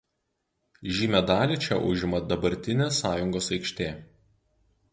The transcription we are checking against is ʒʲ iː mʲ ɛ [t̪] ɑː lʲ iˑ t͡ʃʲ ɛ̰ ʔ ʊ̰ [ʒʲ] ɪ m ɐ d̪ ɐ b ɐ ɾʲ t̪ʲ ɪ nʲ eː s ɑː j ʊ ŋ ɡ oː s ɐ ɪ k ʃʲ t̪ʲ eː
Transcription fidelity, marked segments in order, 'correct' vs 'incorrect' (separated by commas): incorrect, correct